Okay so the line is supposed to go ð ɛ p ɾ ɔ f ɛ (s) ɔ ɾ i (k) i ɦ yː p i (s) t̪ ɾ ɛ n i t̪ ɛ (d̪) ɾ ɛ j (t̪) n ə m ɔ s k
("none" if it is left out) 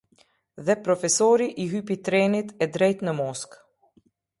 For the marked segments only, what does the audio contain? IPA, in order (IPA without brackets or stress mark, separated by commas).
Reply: s, ʔ, none, d̪, t̪